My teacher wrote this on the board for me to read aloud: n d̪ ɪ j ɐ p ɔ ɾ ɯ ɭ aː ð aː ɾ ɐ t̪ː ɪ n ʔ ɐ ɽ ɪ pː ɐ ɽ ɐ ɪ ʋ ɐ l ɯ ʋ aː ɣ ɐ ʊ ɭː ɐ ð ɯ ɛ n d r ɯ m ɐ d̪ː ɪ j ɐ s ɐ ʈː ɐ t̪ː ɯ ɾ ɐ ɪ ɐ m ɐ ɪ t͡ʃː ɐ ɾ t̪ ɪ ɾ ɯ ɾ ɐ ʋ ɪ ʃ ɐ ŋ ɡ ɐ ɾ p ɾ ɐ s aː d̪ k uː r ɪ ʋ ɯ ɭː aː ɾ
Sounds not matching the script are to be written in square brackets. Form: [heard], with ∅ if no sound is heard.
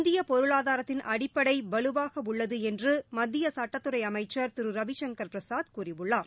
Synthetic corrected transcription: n d̪ ɪ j ɐ p ɔ ɾ ɯ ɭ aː ð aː ɾ ɐ t̪ː ɪ n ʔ ɐ ɽ ɪ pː ɐ ɽ ɐ ɪ ʋ ɐ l ɯ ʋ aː ɣ ɐ ʊ ɭː ɐ ð ɯ ɛ n d r ɯ m ɐ d̪ː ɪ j ɐ s ɐ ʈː ɐ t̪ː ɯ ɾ ɐ ɪ ɐ m ɐ ɪ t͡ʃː ɐ ɾ t̪ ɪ ɾ ɯ ɾ ɐ ʋ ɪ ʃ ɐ ŋ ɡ ɐ ɾ p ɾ ɐ s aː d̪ k uː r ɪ ʋ ɯ ɭː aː ɾ